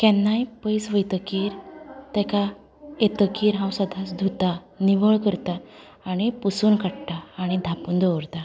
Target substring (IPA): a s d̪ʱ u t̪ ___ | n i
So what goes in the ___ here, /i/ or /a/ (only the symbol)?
a